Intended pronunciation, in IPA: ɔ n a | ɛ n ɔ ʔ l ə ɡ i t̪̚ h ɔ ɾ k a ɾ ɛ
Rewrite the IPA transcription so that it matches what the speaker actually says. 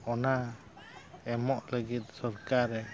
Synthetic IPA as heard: ɔ n a | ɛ m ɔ ʔ l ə ɡ i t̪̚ s ɔ ɾ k a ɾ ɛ